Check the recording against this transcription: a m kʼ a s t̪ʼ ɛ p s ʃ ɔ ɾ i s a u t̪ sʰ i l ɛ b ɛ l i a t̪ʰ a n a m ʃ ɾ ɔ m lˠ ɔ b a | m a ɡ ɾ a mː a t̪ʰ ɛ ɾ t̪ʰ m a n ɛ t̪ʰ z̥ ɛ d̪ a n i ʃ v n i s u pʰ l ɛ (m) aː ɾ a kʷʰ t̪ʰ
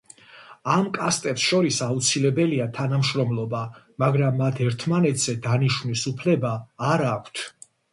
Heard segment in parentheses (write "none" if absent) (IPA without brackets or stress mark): b